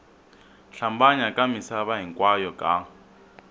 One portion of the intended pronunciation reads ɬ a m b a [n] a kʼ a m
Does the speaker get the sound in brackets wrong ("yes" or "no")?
yes